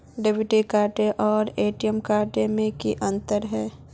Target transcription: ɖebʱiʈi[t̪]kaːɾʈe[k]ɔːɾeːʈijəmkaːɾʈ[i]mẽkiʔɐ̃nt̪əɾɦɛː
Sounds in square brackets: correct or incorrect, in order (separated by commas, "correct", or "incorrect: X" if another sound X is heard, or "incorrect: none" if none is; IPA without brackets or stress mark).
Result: incorrect: none, incorrect: ʔ, incorrect: e